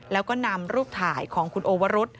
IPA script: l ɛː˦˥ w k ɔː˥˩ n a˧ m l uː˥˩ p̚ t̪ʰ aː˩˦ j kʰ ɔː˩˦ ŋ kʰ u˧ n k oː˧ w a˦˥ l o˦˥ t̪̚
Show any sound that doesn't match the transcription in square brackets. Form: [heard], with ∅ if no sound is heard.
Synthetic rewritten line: l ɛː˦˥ w k ɔː˥˩ n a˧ m [ɾ] uː˥˩ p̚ t̪ʰ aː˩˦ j kʰ ɔː˩˦ ŋ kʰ u˧ n [ʔ] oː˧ w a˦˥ [ɾ] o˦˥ t̪̚

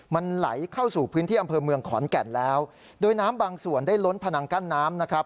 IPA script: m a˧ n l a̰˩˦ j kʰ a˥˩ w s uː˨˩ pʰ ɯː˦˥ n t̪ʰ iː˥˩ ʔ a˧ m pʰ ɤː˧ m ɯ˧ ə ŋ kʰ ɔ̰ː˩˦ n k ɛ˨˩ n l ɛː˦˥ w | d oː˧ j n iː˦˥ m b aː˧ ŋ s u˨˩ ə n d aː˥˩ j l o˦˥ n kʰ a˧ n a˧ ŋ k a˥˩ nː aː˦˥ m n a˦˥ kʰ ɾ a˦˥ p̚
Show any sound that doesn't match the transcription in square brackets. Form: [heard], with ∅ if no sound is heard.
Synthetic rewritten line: m a˧ n l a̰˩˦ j kʰ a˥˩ w s uː˨˩ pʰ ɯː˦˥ n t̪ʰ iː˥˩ ʔ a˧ m pʰ ɤː˧ m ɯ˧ ə ŋ kʰ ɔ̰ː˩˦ n k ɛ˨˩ n l ɛː˦˥ w | d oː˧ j n [aː˦˥] m b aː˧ ŋ s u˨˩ ə n d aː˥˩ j l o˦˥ n [pʰ] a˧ n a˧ ŋ k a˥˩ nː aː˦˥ m n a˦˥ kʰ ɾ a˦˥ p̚

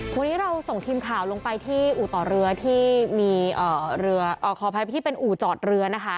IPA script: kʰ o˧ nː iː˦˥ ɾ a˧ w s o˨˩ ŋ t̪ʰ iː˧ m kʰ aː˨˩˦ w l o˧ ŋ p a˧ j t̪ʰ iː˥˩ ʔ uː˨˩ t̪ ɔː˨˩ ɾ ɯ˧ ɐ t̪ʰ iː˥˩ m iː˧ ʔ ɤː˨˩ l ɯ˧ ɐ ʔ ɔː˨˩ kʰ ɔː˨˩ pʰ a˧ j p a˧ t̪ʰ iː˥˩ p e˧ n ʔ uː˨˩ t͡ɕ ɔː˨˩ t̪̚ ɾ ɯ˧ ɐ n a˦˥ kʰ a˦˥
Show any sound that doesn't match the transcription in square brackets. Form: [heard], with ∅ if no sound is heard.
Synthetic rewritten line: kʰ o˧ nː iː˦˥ ɾ a˧ w s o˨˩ ŋ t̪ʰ iː˧ m kʰ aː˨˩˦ w l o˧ ŋ p a˧ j t̪ʰ iː˥˩ ʔ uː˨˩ t̪ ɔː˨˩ ɾ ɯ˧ ɐ t̪ʰ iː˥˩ m iː˧ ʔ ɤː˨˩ [ɾ] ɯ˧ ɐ ʔ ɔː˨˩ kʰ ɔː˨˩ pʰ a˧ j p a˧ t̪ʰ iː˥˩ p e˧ n ʔ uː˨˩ t͡ɕ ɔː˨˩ t̪̚ ɾ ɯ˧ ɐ n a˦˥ kʰ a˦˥

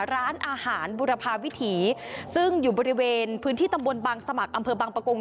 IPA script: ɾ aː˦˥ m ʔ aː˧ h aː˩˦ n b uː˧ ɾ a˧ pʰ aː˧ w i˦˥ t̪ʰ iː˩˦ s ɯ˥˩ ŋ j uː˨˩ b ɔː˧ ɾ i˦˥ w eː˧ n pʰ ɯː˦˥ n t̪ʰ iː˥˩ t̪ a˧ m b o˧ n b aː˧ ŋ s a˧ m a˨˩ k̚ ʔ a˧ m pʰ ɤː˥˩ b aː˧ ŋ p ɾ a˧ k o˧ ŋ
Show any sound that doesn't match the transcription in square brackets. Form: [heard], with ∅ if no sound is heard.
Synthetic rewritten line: ɾ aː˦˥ [n] ʔ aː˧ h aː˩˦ n b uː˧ ɾ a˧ pʰ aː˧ w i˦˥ t̪ʰ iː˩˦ s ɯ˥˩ ŋ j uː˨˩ b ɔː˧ ɾ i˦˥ w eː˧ n pʰ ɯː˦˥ n t̪ʰ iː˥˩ t̪ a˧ m b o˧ n b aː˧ ŋ s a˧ m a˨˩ k̚ ʔ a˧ m pʰ [ɤː˧] b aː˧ ŋ p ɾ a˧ k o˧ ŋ

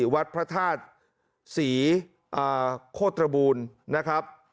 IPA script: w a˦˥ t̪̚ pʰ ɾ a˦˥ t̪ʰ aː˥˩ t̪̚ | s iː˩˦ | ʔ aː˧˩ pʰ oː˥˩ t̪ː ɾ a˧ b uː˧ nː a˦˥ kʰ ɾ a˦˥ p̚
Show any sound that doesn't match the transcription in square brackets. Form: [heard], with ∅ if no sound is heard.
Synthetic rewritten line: w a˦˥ t̪̚ pʰ ɾ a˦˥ t̪ʰ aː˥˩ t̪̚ | s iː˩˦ | ʔ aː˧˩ [kʰ] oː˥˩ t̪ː ɾ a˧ b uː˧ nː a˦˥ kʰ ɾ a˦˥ p̚

